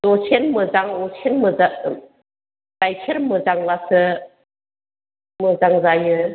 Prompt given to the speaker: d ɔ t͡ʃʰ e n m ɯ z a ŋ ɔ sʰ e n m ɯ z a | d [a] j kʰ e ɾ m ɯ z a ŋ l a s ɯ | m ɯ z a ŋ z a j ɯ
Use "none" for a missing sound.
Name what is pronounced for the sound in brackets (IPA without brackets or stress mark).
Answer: a